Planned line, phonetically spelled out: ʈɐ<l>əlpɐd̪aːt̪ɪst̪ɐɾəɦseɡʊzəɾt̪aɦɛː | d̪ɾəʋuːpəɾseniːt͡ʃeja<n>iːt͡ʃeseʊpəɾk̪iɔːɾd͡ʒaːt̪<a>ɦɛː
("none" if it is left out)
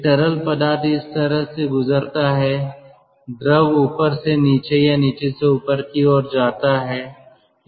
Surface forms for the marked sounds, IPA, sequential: ɾ, n, a

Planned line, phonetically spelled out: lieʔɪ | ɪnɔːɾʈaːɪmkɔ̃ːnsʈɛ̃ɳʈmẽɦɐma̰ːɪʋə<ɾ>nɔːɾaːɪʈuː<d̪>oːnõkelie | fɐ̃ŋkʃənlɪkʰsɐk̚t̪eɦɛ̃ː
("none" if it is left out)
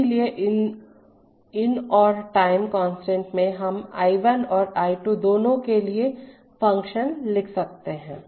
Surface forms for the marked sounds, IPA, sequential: none, d̪

